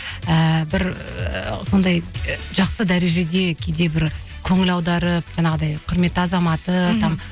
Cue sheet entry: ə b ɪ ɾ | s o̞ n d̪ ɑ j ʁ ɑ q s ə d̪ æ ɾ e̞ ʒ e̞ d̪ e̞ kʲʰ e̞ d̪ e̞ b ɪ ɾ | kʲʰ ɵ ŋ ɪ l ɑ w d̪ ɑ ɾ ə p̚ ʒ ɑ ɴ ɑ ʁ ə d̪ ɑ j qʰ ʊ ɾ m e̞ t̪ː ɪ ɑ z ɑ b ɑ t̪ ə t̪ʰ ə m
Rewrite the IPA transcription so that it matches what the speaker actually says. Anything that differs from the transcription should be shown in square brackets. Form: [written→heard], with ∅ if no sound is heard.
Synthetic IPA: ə b ɪ ɾ | s o̞ n d̪ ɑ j [ʁ→ʒ] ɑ q s ə d̪ æ ɾ e̞ ʒ e̞ d̪ e̞ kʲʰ e̞ d̪ e̞ b ɪ ɾ | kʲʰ ɵ ŋ ɪ l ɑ w d̪ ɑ ɾ ə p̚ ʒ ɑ ɴ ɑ ʁ ə d̪ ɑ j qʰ ʊ ɾ m e̞ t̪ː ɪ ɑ z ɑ [b→m] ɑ t̪ ə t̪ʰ [ə→ɑ] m